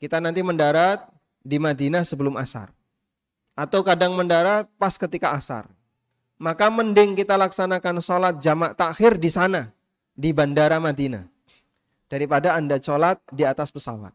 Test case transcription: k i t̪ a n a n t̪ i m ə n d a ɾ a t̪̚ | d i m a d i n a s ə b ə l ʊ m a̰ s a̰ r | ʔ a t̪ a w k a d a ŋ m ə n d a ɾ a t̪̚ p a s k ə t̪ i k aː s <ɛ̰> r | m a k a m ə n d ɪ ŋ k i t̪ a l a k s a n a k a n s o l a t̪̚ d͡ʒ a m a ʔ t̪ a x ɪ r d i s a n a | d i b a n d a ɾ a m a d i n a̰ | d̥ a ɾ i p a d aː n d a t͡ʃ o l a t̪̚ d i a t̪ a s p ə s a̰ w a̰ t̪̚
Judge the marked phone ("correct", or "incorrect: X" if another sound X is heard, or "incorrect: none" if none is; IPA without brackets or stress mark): incorrect: a̰